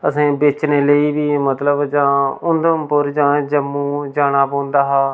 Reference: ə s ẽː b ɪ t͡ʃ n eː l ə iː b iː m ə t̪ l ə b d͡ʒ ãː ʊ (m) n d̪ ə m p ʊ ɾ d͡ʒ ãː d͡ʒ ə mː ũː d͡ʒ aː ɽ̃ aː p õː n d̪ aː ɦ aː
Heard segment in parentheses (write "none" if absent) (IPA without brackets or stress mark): none